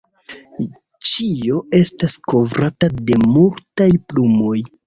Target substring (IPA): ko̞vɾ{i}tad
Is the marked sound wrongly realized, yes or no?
yes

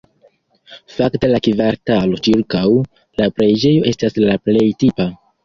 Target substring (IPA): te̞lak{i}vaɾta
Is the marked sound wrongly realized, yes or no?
no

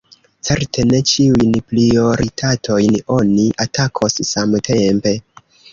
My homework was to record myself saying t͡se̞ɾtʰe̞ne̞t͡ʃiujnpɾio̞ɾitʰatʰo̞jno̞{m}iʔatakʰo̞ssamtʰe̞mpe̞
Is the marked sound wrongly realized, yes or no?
yes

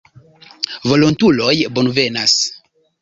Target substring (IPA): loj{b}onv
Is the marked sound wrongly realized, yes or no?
no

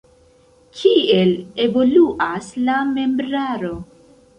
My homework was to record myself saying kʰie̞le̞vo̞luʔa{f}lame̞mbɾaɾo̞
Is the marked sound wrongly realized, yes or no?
yes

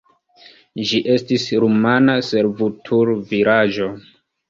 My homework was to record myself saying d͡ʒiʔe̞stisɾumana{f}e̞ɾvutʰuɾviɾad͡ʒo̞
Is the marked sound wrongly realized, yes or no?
yes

